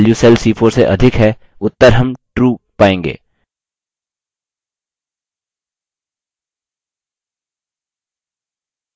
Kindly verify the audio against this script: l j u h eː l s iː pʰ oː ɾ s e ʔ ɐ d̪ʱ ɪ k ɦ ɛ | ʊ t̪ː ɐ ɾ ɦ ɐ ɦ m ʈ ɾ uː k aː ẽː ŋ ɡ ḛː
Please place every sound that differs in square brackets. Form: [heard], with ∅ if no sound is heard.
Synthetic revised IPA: l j u [s] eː l s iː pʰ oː ɾ s e ʔ ɐ d̪ʱ ɪ k ɦ ɛ | ʊ t̪ː [ə] ɾ ɦ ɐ [∅] m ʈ ɾ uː [p] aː ẽː ŋ ɡ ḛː